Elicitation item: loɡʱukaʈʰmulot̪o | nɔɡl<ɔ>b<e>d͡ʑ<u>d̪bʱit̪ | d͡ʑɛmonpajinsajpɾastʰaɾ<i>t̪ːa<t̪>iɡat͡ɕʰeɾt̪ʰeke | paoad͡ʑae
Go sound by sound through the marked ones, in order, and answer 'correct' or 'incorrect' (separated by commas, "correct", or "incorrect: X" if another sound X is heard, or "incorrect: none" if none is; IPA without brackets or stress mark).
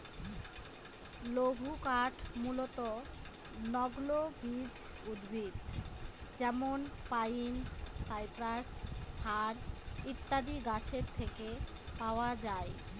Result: incorrect: o, incorrect: i, correct, correct, incorrect: d̪